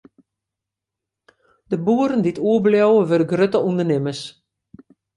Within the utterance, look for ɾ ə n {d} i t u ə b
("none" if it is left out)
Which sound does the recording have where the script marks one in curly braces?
d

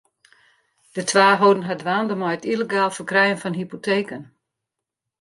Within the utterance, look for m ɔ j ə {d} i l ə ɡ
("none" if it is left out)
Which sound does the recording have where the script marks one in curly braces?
t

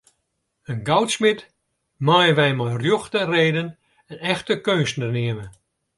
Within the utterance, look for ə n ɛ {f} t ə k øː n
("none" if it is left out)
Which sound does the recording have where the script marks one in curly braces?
x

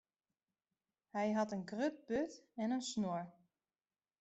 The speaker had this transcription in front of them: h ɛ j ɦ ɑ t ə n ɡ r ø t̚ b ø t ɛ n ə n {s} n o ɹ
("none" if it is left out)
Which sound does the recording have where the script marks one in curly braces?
s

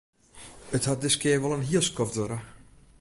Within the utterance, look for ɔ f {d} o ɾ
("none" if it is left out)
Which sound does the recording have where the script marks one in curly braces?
d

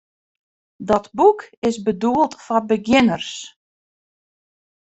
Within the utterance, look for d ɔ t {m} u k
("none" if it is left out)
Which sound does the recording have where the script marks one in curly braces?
b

